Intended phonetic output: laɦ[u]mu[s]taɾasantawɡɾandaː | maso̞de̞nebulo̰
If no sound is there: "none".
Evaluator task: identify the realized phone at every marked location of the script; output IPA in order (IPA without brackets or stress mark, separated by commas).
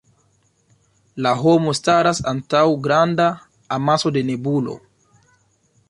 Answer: o, s